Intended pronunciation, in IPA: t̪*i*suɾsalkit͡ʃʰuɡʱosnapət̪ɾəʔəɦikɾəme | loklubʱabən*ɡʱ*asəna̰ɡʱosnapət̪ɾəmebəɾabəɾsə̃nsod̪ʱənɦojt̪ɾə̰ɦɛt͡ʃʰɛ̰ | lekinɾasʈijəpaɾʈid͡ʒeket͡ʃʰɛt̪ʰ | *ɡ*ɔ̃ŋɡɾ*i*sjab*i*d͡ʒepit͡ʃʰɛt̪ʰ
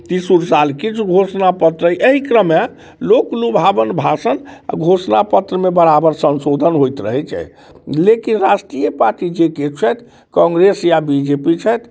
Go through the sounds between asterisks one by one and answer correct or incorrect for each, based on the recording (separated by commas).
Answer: correct, incorrect, incorrect, incorrect, correct